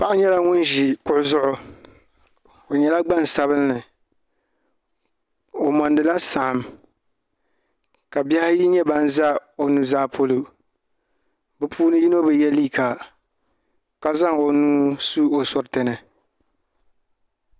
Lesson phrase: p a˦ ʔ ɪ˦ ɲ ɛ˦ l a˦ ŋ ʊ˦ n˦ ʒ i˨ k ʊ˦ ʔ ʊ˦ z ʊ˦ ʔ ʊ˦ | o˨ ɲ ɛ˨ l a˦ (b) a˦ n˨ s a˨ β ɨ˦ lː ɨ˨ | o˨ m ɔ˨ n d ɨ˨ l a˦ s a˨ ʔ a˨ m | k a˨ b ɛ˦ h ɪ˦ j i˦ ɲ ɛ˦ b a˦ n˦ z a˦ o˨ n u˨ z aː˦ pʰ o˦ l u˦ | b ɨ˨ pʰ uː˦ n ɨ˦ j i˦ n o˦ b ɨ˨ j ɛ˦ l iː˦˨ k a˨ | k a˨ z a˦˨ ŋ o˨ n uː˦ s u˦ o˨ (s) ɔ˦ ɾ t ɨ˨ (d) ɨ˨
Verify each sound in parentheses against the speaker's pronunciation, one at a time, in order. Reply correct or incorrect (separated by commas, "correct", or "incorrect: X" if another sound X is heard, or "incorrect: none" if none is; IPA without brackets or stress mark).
incorrect: ɡ͡b, correct, incorrect: n